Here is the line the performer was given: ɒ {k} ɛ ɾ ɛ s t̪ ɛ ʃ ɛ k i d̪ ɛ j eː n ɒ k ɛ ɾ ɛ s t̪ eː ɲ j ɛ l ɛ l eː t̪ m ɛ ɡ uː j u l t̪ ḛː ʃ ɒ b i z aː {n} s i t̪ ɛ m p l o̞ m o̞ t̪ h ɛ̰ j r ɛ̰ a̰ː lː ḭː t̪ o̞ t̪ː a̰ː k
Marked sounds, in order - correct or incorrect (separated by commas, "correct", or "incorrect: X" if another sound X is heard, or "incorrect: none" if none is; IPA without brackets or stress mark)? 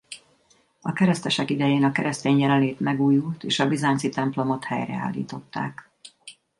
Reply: correct, correct